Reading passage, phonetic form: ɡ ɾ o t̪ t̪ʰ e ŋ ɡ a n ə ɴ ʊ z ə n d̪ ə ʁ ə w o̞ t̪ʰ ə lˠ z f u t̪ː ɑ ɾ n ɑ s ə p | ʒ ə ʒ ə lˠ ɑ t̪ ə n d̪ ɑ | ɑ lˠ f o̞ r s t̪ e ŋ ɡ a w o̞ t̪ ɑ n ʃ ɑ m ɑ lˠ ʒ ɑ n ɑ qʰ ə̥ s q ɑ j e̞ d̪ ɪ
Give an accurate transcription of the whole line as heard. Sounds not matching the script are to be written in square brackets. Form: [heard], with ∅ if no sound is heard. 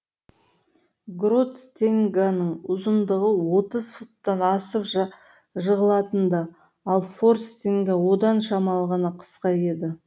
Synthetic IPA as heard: ɡ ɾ o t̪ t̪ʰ e ŋ ɡ a n ə ɴ ʊ z ə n d̪ ə ʁ ə w o̞ [t̪] ə [∅] z f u t̪ː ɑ [∅] n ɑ s ə p | ʒ ə [ʁ] ə lˠ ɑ t̪ ə n d̪ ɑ | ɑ lˠ f o̞ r s t̪ e ŋ ɡ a w o̞ [d̪] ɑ n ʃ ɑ m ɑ lˠ [ʁ] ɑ n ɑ qʰ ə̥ s q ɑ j e̞ d̪ ɪ

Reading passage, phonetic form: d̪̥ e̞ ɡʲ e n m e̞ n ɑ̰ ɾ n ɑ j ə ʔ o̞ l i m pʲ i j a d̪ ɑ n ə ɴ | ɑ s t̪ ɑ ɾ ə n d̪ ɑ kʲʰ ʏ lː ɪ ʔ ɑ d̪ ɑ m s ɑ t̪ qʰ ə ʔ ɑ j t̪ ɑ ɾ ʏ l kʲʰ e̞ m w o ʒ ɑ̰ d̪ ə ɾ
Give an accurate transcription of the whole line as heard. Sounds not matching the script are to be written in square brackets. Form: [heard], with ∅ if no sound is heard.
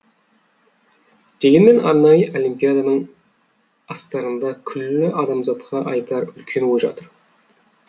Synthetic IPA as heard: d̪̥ e̞ ɡʲ e n m e̞ n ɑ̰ ɾ n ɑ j ə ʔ o̞ l i m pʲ i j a d̪ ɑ n ə ɴ | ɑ s t̪ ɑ ɾ ə n d̪ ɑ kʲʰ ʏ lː ɪ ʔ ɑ d̪ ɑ m [z] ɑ t̪ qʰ [ɑ] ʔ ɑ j t̪ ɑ ɾ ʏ l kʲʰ e̞ [n] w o ʒ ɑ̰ [t̪] ə ɾ

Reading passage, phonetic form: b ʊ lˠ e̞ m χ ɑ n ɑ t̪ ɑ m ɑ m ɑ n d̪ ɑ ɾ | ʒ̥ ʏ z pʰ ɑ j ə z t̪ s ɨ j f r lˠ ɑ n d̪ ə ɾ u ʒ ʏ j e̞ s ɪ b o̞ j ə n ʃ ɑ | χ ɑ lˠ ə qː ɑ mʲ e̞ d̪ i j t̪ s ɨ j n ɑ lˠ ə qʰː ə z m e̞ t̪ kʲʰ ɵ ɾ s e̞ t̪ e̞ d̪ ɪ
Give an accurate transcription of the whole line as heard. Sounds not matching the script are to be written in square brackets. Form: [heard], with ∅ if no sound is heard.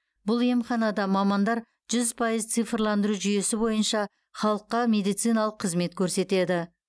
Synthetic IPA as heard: b ʊ lˠ e̞ m χ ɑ n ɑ [d̪] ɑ m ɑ m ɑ n d̪ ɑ ɾ | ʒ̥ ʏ z pʰ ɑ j ə z t̪ s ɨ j f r lˠ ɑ n d̪ ə ɾ u ʒ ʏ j e̞ s ɪ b o̞ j ə n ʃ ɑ | χ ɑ lˠ ə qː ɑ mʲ e̞ d̪ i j t̪ s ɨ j n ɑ lˠ ə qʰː ə z m e̞ t̪ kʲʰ ɵ ɾ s e̞ t̪ e̞ d̪ ɪ

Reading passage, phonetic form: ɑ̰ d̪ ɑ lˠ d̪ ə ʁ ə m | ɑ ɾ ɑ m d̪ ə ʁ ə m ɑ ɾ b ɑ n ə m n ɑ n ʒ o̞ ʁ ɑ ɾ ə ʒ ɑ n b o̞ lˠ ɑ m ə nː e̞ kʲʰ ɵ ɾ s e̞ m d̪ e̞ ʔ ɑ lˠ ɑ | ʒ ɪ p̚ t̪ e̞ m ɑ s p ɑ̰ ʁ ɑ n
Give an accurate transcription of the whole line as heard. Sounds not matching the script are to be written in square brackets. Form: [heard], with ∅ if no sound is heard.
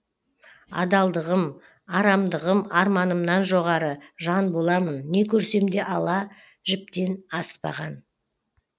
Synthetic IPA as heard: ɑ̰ d̪ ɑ lˠ d̪ ə ʁ ə m | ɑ ɾ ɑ m d̪ ə ʁ ə m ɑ ɾ [m] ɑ n ə m n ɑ n ʒ o̞ ʁ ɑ ɾ ə ʒ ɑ n b o̞ lˠ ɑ m ə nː e̞ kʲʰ ɵ ɾ s e̞ m d̪ e̞ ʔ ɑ lˠ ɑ | ʒ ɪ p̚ t̪ e̞ [n] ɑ s p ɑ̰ ʁ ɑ n

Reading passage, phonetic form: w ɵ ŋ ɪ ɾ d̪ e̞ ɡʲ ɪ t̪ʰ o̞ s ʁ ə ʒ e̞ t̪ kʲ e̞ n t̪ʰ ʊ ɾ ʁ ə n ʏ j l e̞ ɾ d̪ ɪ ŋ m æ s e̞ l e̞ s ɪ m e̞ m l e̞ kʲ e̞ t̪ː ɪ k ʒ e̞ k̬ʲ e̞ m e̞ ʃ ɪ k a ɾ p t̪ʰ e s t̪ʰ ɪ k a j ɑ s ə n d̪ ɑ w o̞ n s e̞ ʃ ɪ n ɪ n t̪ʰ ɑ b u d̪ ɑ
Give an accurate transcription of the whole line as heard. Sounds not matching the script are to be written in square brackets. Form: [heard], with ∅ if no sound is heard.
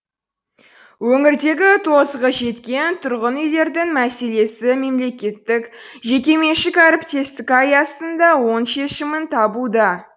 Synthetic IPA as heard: w ɵ ŋ ɪ ɾ d̪ e̞ ɡʲ ɪ t̪ʰ o̞ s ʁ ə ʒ e̞ t̪ kʲ e̞ n t̪ʰ ʊ ɾ ʁ ə n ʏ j l e̞ ɾ d̪ ɪ ŋ m æ s e̞ l e̞ s ɪ m e̞ m l e̞ kʲ e̞ t̪ː ɪ k ʒ e̞ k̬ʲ e̞ m e̞ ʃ ɪ k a ɾ p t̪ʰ e s [t̪] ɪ k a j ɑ s ə n d̪ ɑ w o̞ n [ʃ] e̞ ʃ ɪ [m] ɪ n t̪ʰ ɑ b u d̪ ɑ

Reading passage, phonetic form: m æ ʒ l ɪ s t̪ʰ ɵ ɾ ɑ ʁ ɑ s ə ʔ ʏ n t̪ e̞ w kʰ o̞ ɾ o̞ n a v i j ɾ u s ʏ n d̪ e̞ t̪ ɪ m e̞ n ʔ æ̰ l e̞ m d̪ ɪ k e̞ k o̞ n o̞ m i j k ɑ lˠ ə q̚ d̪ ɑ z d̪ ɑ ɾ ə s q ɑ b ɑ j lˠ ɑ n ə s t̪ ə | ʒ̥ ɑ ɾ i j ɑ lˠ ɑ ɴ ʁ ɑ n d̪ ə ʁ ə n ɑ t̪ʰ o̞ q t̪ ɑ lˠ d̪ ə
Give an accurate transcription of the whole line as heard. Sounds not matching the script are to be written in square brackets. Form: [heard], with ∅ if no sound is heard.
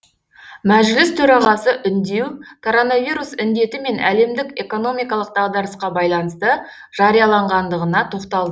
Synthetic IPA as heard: m æ ʒ l ɪ s t̪ʰ ɵ ɾ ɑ ʁ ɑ s ə ʔ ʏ n [d̪] e̞ w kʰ o̞ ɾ o̞ n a v i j ɾ u s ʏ n d̪ e̞ t̪ ɪ m e̞ n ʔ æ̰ l e̞ m d̪ ɪ k e̞ k o̞ n o̞ m i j k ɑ lˠ ə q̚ d̪ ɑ [ʁ] d̪ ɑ ɾ ə s q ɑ b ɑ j lˠ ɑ n ə s t̪ ə | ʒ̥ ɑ ɾ i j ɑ lˠ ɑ ɴ ʁ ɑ n d̪ ə ʁ ə n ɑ t̪ʰ o̞ q t̪ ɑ lˠ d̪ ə

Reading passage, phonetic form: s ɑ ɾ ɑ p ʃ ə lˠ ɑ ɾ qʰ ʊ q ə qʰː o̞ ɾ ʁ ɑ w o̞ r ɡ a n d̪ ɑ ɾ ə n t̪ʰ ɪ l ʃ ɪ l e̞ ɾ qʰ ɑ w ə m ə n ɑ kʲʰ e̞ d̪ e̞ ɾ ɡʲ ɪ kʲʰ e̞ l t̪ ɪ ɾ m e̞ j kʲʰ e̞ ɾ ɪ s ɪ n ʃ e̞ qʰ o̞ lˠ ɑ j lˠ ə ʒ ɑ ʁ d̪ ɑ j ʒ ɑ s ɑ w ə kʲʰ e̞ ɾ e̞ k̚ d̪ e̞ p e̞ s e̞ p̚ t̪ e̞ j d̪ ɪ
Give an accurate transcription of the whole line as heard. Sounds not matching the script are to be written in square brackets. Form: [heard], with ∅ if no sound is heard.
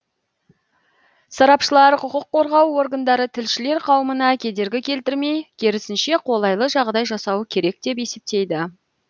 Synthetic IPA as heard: s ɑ ɾ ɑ p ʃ ə lˠ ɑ ɾ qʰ ʊ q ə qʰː o̞ ɾ ʁ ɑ w o̞ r ɡ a n d̪ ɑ ɾ ə [∅] t̪ʰ ɪ l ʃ ɪ l e̞ ɾ qʰ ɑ w ə m ə n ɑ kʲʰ e̞ d̪ e̞ ɾ ɡʲ ɪ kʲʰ e̞ l t̪ ɪ ɾ m e̞ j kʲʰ e̞ ɾ ɪ s ɪ n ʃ e̞ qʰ o̞ lˠ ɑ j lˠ ə ʒ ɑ ʁ d̪ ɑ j ʒ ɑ s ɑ w ə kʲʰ e̞ ɾ e̞ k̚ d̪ e̞ p e̞ s e̞ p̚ t̪ e̞ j d̪ ɪ

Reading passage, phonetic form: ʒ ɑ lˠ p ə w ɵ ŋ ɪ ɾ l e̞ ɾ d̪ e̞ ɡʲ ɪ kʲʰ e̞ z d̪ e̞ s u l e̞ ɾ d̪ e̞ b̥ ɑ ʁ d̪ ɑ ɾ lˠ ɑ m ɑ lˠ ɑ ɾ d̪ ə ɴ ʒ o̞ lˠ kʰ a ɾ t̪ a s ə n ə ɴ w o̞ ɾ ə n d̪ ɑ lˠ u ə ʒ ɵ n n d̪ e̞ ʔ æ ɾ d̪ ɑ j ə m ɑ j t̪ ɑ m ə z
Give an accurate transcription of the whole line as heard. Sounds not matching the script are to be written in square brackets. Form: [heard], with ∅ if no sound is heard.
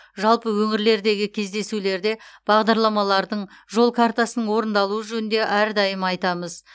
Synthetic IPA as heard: ʒ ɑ lˠ p ə w ɵ ŋ ɪ ɾ l e̞ ɾ d̪ e̞ ɡʲ ɪ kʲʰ e̞ z d̪ e̞ s u l e̞ ɾ d̪ e̞ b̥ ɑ ʁ d̪ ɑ ɾ lˠ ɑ m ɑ lˠ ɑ ɾ d̪ ə ɴ ʒ o̞ lˠ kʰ a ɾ t̪ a s ə n ə ɴ w o̞ ɾ ə n d̪ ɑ lˠ u ə ʒ ɵ n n d̪ e̞ ʔ æ ɾ d̪ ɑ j ə m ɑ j t̪ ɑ m ə z

